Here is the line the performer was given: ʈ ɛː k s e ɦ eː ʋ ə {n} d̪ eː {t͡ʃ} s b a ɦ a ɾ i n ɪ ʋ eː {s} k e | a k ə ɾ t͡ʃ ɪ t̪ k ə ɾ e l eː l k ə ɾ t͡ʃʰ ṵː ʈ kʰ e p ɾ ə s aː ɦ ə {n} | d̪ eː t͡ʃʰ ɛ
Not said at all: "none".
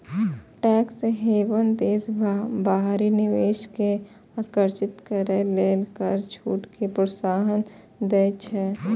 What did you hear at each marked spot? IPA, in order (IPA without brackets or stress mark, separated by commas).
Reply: n, none, ʃ, n